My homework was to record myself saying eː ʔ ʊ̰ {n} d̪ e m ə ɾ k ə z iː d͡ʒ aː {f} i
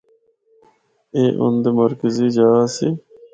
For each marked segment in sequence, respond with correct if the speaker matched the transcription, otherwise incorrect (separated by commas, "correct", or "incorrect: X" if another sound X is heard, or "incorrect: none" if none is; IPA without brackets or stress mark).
correct, incorrect: s